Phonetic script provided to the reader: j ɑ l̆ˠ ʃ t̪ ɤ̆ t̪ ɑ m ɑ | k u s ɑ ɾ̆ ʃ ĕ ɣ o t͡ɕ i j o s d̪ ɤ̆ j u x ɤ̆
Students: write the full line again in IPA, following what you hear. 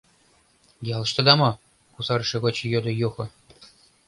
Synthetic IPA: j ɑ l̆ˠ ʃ t̪ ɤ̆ d̪ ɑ m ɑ | k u s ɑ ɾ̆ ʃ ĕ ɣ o t͡ɕ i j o d̪ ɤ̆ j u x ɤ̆